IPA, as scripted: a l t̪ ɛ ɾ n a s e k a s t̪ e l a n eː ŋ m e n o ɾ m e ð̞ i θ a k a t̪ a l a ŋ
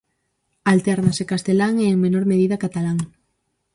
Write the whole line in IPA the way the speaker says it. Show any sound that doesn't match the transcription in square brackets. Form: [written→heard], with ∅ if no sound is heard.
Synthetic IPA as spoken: a l t̪ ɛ ɾ n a s e k a s t̪ e l a [n→ŋ] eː ŋ m e n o ɾ m e ð̞ i [θ→ð] a k a t̪ a l a ŋ